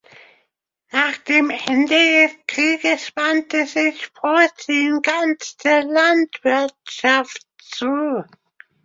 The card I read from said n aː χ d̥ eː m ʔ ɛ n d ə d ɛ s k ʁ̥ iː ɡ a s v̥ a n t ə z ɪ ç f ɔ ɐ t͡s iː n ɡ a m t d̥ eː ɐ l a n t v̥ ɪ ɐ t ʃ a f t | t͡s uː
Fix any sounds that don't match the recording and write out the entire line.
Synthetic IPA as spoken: n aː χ d̥ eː m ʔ ɛ n d ə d ɛ s k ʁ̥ iː ɡ ə s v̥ a n t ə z ɪ ç f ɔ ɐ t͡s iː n ɡ a n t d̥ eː ɐ l a n t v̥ ɪ ɐ t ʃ a f t | t͡s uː